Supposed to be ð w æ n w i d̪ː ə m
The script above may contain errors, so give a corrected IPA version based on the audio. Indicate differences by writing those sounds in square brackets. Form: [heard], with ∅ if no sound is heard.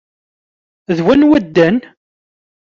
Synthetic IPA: ð w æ n w [æ] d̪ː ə [n]